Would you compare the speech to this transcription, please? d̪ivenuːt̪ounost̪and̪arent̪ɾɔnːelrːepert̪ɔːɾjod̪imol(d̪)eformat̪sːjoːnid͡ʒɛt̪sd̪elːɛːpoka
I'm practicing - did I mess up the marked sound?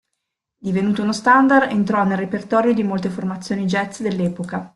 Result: yes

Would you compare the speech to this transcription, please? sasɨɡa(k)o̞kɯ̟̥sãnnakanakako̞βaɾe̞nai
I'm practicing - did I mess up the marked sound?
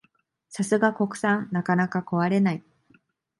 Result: no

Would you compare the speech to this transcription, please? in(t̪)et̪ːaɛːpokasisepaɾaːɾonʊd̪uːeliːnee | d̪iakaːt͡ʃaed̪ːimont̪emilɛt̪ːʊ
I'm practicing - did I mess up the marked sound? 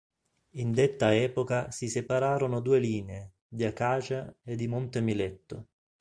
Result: yes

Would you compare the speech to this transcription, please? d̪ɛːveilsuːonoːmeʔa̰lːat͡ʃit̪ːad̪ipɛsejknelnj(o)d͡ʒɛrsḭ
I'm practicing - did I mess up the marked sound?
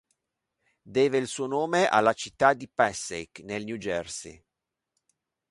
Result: yes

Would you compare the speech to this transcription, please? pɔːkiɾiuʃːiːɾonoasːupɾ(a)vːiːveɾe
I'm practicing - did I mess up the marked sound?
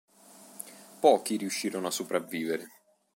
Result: no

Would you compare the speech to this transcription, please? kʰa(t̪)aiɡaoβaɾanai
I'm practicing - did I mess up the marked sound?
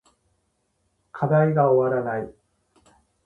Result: yes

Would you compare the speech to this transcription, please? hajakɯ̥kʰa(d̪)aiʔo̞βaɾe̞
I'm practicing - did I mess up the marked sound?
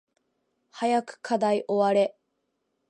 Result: no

